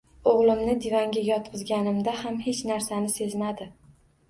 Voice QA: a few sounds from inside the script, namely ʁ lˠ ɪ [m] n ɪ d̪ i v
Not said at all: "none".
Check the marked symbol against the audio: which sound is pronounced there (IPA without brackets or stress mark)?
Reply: m